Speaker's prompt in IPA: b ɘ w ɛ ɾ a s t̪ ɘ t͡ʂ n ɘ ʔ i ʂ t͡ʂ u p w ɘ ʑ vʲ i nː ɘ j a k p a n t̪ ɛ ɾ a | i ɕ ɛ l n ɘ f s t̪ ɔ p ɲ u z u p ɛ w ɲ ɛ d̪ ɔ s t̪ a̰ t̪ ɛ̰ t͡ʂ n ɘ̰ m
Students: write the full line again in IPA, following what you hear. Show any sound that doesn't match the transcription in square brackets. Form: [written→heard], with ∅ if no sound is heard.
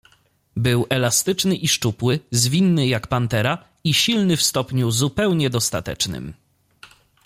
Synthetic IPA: b ɘ w ɛ [ɾ→l] a s t̪ ɘ t͡ʂ n ɘ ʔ i ʂ t͡ʂ u p w ɘ [ʑ→z] vʲ i nː ɘ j a k p a n t̪ ɛ ɾ a | i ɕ [ɛ→i] l n ɘ f s t̪ ɔ p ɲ u z u p ɛ w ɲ ɛ d̪ ɔ s t̪ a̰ t̪ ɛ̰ t͡ʂ n ɘ̰ m